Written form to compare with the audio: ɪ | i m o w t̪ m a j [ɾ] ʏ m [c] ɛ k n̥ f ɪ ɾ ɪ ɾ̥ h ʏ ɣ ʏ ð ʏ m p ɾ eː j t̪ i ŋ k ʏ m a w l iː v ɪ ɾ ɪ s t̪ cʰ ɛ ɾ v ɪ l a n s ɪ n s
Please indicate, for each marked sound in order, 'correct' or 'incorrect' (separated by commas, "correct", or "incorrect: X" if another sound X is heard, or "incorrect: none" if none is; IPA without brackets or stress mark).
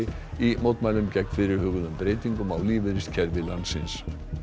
incorrect: l, correct